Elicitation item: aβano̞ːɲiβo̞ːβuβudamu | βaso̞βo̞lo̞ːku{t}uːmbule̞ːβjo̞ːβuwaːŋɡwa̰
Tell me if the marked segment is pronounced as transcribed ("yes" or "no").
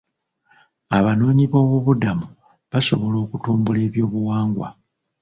yes